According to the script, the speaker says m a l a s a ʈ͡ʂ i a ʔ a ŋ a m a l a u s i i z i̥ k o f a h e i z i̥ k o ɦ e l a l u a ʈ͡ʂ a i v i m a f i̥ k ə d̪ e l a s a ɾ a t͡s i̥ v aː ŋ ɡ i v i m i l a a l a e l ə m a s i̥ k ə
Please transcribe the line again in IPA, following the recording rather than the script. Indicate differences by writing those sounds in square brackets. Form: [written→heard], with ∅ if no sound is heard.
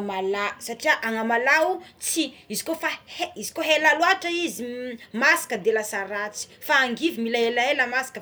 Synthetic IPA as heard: m a l a s a ʈ͡ʂ i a ʔ a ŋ a m a l a u [s→t͡s] i i z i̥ k o f a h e i z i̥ k o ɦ e l a l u a ʈ͡ʂ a i [v→z] i m a [f→s] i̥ k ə d̪ e l a s a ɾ a t͡s i̥ [v→f] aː ŋ ɡ i v i m i l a [a→e] l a e l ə m a s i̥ k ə